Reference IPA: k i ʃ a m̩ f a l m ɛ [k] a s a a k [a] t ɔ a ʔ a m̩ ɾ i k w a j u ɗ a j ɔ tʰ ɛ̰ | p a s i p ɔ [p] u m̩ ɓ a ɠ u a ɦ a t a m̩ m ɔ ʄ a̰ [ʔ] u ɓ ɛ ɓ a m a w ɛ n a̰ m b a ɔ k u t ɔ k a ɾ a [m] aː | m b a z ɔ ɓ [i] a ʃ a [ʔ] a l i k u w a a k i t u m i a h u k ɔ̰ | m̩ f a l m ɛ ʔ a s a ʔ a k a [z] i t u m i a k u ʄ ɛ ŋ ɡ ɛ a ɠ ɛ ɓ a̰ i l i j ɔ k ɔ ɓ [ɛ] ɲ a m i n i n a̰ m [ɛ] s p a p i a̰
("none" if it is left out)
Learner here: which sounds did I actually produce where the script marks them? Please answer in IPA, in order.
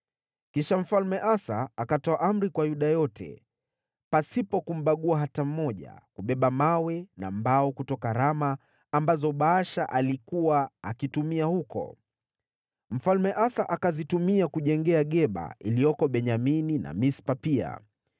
ʔ, a, k, k, m, a, ʔ, z, ɛ, i

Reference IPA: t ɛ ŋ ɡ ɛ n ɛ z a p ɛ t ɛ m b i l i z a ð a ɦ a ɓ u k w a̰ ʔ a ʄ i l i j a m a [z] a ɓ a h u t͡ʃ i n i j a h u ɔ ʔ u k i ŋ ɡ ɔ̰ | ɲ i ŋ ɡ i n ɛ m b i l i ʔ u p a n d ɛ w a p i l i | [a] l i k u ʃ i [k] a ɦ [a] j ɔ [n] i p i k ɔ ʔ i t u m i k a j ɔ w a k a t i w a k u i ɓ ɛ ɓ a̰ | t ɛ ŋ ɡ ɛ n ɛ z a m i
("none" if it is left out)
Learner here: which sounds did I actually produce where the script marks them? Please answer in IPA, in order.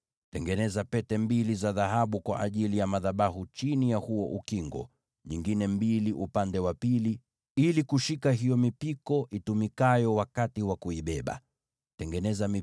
ð, i, k, i, m

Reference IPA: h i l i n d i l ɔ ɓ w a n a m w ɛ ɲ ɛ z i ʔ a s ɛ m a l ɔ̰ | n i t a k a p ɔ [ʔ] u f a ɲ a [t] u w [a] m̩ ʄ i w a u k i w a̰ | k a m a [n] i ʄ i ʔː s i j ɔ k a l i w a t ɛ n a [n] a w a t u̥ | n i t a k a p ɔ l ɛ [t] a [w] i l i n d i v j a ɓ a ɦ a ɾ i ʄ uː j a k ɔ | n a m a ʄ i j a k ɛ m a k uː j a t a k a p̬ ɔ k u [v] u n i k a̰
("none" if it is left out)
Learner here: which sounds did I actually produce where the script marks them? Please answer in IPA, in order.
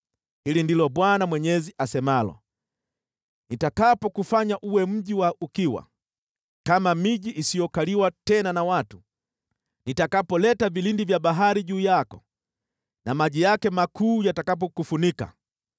k, ʔ, ɛ, m, n, t, v, f

